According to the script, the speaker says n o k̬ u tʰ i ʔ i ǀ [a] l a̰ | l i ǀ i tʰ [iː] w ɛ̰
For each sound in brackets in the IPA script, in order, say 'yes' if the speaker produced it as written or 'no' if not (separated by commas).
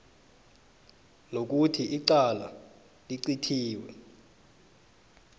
yes, yes